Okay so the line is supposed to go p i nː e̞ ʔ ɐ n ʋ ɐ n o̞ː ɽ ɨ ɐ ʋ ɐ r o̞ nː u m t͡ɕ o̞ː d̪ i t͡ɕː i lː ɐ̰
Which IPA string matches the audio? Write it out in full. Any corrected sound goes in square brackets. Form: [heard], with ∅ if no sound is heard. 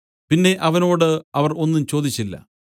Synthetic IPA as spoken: p i nː e̞ ʔ ɐ [∅] ʋ ɐ n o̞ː ɽ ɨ ɐ ʋ ɐ r o̞ nː u m t͡ɕ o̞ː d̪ i t͡ɕː i lː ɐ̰

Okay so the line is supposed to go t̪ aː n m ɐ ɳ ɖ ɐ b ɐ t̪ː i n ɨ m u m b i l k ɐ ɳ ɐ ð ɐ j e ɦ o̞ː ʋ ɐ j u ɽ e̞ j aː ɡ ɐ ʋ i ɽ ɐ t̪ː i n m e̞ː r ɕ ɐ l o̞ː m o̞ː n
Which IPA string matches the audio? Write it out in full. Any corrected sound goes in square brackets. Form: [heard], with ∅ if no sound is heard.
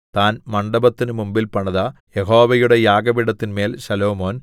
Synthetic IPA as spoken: t̪ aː n m ɐ ɳ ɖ ɐ b ɐ t̪ː i n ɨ m u m b i l [p] ɐ ɳ ɐ ð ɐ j e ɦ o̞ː ʋ ɐ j u ɽ e̞ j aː ɡ ɐ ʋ i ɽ ɐ t̪ː i n m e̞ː [l] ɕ ɐ l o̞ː m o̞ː n

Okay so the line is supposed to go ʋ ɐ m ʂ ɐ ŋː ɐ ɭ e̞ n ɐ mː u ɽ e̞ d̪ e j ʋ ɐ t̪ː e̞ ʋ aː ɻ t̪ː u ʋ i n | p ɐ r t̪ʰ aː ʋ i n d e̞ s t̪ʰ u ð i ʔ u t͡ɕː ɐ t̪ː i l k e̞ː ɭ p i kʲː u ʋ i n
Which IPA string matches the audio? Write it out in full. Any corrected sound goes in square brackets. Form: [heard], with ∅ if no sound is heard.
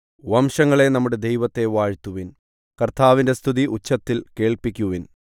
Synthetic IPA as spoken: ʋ ɐ m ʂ ɐ ŋː ɐ ɭ e̞ n ɐ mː u ɽ e̞ d̪ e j ʋ ɐ t̪ː e̞ ʋ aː ɻ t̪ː u ʋ i n | [k] ɐ r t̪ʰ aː ʋ i n d e̞ s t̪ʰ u ð i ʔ u t͡ɕː ɐ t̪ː i l k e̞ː ɭ p i kʲː u ʋ i n

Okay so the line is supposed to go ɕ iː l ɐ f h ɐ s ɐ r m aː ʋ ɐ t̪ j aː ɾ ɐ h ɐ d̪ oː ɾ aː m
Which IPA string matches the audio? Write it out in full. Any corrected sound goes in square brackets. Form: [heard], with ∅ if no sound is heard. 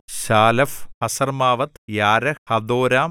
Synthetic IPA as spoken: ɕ [aː] l ɐ f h ɐ s ɐ r m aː ʋ ɐ t̪ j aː ɾ ɐ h ɐ d̪ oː ɾ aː m

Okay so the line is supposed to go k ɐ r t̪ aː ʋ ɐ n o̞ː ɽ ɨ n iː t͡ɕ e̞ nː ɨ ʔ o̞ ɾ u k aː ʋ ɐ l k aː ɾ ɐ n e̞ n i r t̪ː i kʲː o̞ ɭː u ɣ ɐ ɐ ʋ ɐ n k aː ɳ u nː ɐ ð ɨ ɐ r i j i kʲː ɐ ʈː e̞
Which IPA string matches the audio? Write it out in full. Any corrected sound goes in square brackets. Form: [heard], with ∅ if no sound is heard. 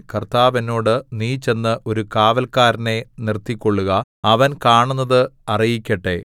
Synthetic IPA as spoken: k ɐ r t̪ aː ʋ ɐ n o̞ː ɽ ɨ n iː t͡ɕ e̞ nː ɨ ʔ o̞ ɾ u k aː ʋ ɐ l k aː ɾ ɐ n e̞ n i r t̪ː i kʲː o̞ ɭː u ɣ ɐ ɐ ʋ ɐ n k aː ɳ u nː ɐ ð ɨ ɐ r i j i kʲː ɐ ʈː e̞

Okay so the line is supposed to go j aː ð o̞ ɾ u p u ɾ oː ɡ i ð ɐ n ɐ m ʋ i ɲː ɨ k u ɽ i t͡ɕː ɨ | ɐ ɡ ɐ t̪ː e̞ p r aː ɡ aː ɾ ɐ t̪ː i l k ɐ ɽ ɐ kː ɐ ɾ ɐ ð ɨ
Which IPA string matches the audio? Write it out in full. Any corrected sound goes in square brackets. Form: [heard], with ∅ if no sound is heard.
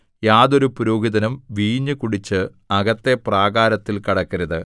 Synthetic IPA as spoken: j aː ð o̞ ɾ u p u ɾ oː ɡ i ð ɐ n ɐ m ʋ [iː] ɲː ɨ k u ɽ i t͡ɕː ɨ | ɐ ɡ ɐ t̪ː e̞ p r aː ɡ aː ɾ ɐ t̪ː i l k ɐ ɽ ɐ kː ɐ ɾ ɐ ð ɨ

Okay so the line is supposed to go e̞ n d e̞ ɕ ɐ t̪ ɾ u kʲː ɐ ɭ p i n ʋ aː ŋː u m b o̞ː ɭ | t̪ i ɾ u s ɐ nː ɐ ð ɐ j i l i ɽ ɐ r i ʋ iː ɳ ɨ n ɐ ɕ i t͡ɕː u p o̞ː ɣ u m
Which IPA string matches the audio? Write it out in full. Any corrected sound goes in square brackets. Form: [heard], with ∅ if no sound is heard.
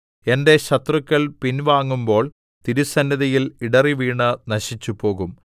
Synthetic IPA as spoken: e̞ n d e̞ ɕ ɐ t̪ [r] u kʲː ɐ ɭ p i n ʋ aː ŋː u m b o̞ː ɭ | t̪ i ɾ u s ɐ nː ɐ ð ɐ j i l i ɽ ɐ r i ʋ iː ɳ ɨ n ɐ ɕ i t͡ɕː u p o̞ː ɣ u m

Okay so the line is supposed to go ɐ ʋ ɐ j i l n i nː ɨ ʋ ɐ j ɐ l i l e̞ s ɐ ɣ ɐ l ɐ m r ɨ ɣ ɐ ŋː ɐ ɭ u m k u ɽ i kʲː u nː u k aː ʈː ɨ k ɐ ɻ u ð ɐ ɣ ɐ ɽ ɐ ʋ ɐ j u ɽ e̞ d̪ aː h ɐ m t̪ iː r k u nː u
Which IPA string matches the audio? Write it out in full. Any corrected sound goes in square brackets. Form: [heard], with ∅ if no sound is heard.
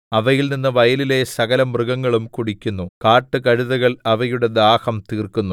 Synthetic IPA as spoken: ɐ ʋ ɐ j i l n i nː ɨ ʋ ɐ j ɐ l i l e̞ s ɐ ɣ ɐ l ɐ m r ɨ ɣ ɐ ŋː ɐ ɭ u m k u ɽ i kʲː u nː u k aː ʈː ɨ k ɐ ɻ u ð ɐ ɣ ɐ [ɭ] ɐ ʋ ɐ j u ɽ e̞ d̪ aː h ɐ m t̪ iː r k u nː u

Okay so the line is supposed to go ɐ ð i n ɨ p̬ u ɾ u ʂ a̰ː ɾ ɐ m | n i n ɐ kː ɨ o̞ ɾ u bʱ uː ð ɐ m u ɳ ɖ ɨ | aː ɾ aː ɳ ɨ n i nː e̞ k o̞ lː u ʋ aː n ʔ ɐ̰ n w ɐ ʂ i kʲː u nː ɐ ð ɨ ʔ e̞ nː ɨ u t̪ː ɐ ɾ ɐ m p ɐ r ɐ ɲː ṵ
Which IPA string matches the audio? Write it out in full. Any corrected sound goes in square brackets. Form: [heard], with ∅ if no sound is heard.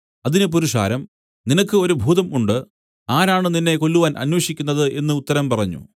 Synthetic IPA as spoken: ɐ ð i n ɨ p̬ u ɾ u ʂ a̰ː ɾ ɐ m | n i n ɐ kː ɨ o̞ ɾ u bʱ uː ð ɐ m u ɳ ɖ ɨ | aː ɾ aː ɳ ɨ n i nː e̞ k o̞ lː u ʋ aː n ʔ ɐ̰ n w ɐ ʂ i kʲː u nː ɐ ð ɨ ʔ e̞ nː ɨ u t̪ː ɐ ɾ ɐ m p ɐ r ɐ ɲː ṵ

